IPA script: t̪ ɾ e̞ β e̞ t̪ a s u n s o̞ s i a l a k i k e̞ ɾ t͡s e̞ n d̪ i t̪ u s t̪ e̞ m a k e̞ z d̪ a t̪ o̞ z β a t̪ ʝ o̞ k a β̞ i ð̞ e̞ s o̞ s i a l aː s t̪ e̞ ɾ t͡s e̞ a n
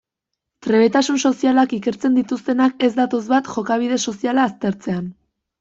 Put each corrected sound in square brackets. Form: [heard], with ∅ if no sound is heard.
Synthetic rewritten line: t̪ ɾ e̞ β e̞ t̪ a s u n s o̞ s i a l a k i k e̞ ɾ t͡s e̞ n d̪ i t̪ u s t̪ e̞ [n] a k e̞ z d̪ a t̪ o̞ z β a t̪ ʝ o̞ k a β̞ i ð̞ e̞ s o̞ s i a l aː s t̪ e̞ ɾ t͡s e̞ a n